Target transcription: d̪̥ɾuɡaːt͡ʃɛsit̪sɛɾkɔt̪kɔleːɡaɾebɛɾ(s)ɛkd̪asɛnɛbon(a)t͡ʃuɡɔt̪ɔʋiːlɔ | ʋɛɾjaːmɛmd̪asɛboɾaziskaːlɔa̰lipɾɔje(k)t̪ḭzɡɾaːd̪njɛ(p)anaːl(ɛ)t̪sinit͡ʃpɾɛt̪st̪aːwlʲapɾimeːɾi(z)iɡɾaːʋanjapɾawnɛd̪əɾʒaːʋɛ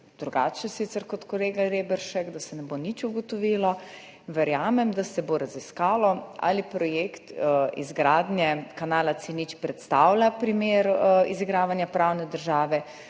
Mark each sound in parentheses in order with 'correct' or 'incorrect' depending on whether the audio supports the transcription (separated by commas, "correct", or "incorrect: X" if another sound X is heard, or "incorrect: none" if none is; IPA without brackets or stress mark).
incorrect: ʃ, incorrect: i, correct, incorrect: k, incorrect: a, correct